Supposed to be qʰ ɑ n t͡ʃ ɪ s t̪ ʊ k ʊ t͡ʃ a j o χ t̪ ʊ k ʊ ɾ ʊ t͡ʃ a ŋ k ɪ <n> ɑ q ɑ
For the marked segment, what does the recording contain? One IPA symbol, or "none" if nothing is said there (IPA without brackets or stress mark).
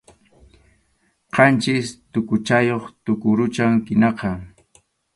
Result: n